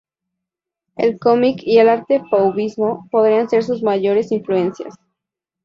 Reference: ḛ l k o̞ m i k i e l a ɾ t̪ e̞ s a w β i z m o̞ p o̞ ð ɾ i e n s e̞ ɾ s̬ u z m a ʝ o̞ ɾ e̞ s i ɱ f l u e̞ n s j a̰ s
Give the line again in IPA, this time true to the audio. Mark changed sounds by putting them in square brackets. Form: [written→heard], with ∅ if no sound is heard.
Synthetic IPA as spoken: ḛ l k o̞ m i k i e l a ɾ t̪ e̞ [s→f] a w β i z m o̞ p o̞ ð ɾ i [e→a] n s e̞ ɾ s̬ u z m a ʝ o̞ ɾ e̞ s i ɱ f l u e̞ n s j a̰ s